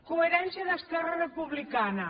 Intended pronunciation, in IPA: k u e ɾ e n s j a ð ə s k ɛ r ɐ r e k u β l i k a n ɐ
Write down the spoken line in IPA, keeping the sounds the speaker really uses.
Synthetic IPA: k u e ɾ ɛ n s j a ð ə s k ɛ r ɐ r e p u β l i k a n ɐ